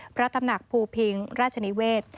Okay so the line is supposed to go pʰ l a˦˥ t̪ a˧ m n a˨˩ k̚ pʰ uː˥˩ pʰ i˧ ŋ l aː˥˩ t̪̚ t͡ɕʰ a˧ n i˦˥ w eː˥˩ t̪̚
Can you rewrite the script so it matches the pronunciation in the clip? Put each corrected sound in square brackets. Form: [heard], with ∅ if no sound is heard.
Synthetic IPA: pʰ [ɾ] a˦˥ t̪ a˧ m n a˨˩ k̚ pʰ [uː˧] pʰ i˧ ŋ [ɾ] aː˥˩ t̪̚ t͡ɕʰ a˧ n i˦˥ w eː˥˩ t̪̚